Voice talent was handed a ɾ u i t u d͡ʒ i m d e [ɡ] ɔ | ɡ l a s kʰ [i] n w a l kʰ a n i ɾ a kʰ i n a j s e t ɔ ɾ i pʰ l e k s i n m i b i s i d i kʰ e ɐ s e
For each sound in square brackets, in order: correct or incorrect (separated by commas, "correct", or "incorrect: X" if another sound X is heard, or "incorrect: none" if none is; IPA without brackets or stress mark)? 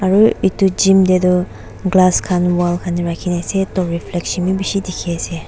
incorrect: d, incorrect: a